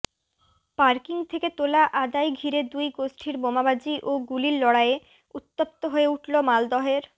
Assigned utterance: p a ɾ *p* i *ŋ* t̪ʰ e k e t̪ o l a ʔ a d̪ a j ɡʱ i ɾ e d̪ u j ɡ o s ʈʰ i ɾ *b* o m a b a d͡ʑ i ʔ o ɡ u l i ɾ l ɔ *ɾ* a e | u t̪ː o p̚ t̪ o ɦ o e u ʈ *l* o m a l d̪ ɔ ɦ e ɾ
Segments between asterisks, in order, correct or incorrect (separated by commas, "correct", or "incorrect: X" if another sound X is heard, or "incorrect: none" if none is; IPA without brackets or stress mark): incorrect: k, correct, correct, incorrect: ɽ, correct